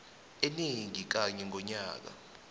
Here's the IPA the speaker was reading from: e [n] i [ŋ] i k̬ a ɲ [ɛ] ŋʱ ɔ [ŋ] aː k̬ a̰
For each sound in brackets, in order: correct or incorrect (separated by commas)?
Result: correct, correct, correct, incorrect